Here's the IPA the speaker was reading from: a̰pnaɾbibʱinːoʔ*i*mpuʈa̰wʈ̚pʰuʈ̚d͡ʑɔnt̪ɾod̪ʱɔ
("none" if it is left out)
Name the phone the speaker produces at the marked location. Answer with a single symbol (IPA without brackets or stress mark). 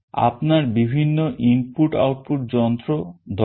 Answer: i